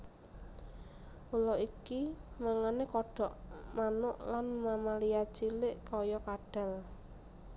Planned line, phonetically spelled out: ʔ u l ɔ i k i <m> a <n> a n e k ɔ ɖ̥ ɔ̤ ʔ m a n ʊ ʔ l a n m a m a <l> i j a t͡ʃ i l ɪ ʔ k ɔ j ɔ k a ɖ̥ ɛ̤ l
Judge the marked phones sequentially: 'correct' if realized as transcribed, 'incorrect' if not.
correct, incorrect: ŋ, correct

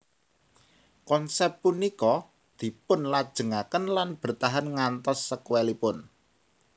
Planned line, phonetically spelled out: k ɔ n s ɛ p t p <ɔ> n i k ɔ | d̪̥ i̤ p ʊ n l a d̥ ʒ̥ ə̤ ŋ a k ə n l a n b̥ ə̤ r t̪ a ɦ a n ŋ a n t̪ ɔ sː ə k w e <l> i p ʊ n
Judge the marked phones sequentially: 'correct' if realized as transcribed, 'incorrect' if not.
incorrect: u, correct

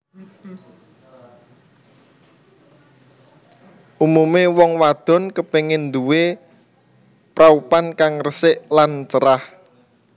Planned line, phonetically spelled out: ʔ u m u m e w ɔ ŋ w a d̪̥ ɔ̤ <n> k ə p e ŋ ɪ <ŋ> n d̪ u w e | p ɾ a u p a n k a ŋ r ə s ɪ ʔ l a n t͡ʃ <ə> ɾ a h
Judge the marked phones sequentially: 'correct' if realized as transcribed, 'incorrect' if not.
correct, incorrect: none, correct

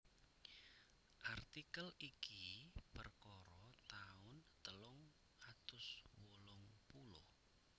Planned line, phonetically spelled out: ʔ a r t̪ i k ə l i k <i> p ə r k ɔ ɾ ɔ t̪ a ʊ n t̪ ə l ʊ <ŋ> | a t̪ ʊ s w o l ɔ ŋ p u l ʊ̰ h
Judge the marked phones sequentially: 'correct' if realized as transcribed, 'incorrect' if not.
correct, correct

